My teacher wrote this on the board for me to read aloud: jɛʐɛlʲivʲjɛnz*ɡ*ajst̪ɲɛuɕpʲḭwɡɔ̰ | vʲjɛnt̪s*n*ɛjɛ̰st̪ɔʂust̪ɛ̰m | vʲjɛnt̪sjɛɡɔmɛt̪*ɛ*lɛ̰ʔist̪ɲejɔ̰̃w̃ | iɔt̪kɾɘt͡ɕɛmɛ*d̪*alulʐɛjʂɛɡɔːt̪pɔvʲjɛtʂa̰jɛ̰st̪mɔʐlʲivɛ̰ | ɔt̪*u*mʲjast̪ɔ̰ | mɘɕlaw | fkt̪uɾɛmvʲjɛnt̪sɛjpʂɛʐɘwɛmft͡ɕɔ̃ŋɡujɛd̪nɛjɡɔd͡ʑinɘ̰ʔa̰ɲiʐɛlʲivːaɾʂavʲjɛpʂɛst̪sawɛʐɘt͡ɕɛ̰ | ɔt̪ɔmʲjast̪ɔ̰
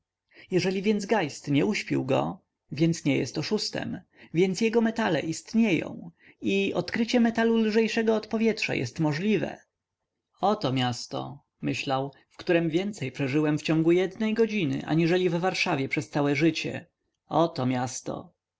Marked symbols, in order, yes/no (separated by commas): yes, no, no, no, no